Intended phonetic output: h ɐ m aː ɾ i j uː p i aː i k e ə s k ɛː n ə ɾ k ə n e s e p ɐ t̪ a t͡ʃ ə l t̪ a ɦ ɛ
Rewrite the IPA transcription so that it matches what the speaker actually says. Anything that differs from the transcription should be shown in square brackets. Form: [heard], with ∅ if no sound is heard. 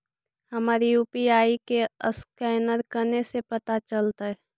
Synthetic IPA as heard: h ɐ m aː ɾ i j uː p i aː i k e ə s k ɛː n ə ɾ k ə n e s e p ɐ t̪ a t͡ʃ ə l t̪ a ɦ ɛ